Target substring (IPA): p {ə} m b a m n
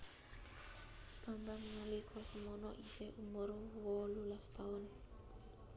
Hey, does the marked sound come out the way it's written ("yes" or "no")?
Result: no